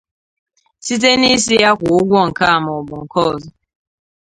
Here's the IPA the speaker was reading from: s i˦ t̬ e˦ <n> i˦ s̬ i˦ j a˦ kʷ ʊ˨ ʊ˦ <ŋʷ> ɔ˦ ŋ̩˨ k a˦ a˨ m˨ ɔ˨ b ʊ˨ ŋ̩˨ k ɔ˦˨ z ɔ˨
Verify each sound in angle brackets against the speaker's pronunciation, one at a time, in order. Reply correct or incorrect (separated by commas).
correct, incorrect